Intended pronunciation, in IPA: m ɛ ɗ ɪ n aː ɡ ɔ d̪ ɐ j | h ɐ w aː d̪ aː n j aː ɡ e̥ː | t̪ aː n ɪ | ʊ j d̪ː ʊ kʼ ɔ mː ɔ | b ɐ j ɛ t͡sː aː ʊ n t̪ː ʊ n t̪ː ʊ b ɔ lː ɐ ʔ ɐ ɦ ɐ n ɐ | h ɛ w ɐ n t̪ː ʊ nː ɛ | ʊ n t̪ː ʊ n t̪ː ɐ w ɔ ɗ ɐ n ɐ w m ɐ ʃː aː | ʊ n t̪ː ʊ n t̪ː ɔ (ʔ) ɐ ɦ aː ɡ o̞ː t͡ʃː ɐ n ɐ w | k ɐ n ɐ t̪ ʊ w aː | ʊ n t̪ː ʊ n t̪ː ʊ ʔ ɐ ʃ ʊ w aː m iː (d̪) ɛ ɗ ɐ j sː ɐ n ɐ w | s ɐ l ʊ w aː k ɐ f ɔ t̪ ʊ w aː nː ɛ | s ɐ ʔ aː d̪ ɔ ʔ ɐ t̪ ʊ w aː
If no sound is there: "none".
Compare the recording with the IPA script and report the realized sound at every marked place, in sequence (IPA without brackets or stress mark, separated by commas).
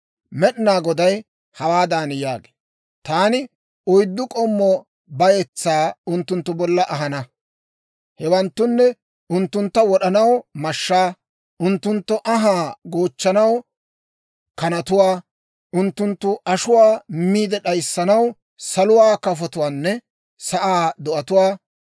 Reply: ʔ, d̪